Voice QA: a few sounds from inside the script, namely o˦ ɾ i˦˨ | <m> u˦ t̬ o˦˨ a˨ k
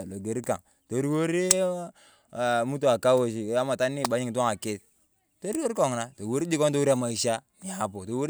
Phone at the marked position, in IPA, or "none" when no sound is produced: m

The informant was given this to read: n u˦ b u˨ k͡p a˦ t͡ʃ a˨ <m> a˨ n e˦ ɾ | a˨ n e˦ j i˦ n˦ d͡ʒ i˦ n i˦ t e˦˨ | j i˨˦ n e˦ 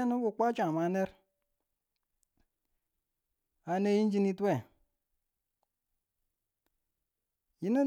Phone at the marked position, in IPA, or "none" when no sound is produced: m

